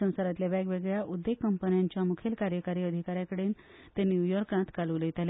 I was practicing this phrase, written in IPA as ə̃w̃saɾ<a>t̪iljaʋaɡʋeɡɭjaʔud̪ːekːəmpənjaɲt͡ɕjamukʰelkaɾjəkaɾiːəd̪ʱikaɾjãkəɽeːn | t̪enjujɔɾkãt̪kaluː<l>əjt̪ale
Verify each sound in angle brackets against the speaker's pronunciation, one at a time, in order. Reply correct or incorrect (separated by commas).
correct, correct